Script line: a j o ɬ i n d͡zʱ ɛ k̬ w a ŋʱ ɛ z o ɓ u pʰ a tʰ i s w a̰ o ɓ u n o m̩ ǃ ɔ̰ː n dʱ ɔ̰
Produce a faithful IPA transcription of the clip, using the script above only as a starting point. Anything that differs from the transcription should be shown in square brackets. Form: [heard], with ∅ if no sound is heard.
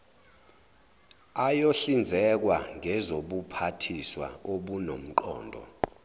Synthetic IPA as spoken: a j o ɬ i n d͡zʱ ɛ k̬ w a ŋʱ ɛ z o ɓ u pʰ a tʰ i s w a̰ o ɓ u n o m̩ ǃ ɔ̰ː n dʱ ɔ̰